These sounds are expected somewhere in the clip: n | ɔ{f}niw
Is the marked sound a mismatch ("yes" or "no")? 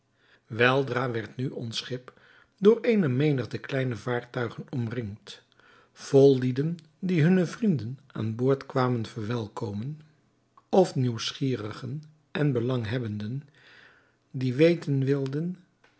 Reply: no